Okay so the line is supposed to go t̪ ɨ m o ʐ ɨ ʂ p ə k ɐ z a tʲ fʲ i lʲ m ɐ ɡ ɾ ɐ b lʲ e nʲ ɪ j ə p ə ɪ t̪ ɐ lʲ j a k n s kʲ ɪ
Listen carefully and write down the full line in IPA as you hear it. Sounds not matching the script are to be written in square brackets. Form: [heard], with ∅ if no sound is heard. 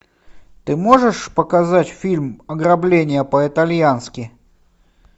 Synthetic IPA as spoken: t̪ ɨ m o ʐ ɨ ʂ p ə k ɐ z a tʲ fʲ i lʲ m ɐ ɡ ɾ ɐ b lʲ e nʲ ɪ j ə p ə ɪ t̪ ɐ lʲ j a [∅] n s kʲ ɪ